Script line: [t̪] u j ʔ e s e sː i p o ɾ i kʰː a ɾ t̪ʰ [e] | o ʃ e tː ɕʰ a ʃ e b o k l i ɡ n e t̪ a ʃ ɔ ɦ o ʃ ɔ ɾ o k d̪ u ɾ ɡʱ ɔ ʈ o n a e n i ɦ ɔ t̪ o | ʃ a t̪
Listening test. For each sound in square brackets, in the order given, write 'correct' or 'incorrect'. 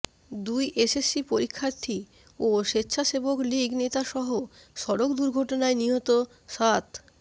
incorrect, incorrect

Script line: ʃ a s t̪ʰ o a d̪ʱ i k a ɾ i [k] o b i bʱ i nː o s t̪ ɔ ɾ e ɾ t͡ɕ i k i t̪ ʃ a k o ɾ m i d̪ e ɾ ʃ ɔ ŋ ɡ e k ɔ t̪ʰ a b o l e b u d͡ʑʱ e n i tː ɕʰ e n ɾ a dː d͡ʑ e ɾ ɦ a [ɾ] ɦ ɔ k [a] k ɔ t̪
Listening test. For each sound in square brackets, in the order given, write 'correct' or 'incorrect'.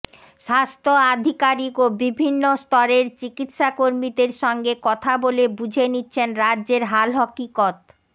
correct, incorrect, incorrect

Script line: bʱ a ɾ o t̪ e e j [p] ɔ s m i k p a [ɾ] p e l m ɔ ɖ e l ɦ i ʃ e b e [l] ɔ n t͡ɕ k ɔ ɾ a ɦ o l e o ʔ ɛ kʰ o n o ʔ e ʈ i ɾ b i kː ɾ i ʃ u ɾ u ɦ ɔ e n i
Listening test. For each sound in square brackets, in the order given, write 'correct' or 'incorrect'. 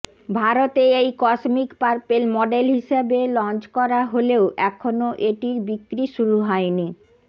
incorrect, correct, correct

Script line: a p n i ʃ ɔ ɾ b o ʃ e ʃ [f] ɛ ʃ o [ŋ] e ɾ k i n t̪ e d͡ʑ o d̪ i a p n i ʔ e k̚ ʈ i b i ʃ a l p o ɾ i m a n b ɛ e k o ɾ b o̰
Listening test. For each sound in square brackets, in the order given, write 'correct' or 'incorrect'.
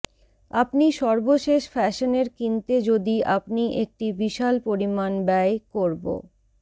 correct, incorrect

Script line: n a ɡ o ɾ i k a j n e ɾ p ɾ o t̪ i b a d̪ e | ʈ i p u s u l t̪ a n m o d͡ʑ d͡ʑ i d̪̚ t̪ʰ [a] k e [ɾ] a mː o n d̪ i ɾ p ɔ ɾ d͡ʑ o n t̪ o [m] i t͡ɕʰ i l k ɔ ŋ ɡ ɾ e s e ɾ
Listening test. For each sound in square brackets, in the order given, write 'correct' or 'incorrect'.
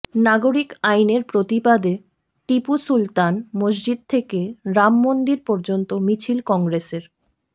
incorrect, correct, correct

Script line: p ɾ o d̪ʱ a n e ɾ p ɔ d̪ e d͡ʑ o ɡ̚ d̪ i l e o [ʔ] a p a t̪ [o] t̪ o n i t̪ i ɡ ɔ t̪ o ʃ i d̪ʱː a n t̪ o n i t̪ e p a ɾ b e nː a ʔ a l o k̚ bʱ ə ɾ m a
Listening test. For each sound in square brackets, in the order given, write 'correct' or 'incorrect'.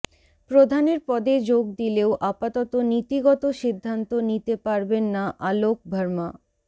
correct, incorrect

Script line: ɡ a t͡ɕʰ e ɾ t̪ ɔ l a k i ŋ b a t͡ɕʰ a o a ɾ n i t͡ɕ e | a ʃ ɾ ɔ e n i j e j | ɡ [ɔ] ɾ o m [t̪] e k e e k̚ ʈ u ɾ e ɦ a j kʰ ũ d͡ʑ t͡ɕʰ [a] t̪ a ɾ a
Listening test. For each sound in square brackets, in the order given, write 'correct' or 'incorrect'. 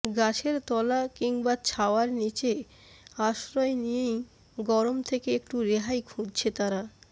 correct, incorrect, incorrect

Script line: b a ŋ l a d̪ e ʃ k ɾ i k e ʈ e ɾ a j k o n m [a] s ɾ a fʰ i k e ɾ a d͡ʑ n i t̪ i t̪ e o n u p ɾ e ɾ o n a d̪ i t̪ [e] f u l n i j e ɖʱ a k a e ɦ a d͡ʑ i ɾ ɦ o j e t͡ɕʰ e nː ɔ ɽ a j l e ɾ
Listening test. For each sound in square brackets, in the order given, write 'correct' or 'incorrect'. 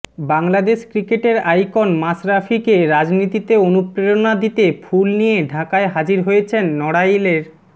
correct, correct

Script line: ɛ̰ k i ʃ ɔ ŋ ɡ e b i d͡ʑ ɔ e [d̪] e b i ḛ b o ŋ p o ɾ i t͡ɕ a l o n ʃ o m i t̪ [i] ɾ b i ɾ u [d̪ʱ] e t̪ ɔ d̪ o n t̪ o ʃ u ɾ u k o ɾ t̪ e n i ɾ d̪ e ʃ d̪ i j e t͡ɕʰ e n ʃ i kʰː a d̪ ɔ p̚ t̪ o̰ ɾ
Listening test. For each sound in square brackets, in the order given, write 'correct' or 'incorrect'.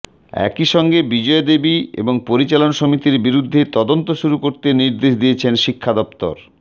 correct, correct, incorrect

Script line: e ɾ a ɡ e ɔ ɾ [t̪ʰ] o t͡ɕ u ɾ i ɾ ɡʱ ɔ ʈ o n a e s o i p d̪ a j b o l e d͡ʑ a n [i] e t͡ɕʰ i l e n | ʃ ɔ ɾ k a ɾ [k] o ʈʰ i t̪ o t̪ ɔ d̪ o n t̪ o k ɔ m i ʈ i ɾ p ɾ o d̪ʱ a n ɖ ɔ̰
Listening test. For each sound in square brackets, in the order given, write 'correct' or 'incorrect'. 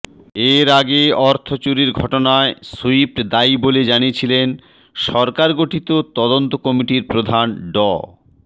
correct, correct, incorrect

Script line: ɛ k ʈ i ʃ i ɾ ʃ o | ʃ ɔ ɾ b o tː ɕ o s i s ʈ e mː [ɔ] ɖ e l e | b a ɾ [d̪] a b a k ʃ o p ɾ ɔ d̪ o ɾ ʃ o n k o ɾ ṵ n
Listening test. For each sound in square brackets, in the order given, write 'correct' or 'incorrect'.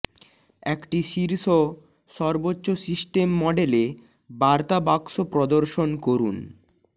correct, incorrect

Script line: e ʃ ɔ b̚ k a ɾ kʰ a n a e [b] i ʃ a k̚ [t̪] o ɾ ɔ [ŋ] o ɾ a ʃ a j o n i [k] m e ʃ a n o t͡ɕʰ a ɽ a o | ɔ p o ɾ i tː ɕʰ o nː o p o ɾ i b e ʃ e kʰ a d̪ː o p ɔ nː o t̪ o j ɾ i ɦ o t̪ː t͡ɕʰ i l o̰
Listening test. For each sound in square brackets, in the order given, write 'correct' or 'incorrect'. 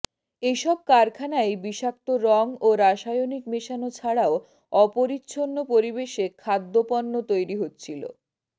correct, correct, correct, correct

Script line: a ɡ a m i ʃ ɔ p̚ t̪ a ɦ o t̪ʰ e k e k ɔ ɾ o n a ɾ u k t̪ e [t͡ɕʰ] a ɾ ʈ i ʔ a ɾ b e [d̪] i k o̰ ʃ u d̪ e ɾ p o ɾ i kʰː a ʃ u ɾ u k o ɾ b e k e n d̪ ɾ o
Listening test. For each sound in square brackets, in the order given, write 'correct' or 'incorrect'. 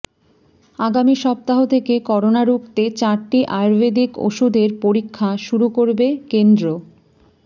incorrect, correct

